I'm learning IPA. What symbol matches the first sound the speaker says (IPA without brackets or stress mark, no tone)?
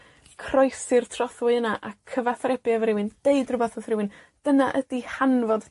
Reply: kʰ